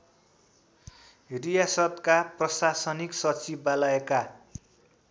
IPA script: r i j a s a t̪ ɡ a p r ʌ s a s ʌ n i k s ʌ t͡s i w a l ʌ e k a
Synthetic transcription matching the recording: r i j a s ʌ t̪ k a p r ʌ s a s ʌ n i k s ʌ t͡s i b a l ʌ e k a